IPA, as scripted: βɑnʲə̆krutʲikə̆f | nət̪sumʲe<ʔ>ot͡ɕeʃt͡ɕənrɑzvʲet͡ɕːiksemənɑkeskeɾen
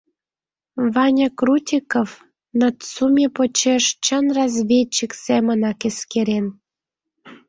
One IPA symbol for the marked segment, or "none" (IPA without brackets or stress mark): p